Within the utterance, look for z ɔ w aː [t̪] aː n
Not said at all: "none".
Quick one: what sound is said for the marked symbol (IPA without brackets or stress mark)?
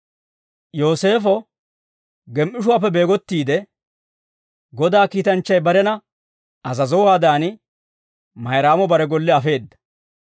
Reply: d̪